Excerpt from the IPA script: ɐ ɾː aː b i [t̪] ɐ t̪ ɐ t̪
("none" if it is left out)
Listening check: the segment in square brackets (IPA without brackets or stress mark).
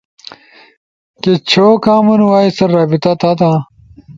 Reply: t̪